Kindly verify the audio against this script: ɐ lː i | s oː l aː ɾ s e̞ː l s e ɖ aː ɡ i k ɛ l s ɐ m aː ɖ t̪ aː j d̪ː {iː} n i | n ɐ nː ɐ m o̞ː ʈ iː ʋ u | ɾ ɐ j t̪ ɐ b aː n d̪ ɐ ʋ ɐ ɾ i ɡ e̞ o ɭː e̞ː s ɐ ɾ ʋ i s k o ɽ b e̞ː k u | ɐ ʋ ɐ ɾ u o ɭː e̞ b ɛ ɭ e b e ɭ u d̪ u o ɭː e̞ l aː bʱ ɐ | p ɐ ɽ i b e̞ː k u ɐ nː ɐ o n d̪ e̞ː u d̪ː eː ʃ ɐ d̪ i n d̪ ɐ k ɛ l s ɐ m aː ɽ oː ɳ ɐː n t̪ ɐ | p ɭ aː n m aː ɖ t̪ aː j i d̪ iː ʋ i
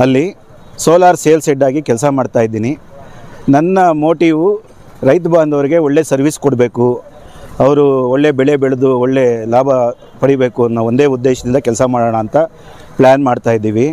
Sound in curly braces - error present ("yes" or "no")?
no